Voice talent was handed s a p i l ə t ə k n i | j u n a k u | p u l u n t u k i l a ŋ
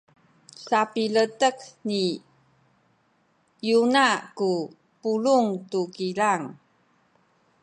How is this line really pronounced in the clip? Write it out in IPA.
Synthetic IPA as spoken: s a p i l ə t ə k n i | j u n a k u | p u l u ŋ t u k i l a ŋ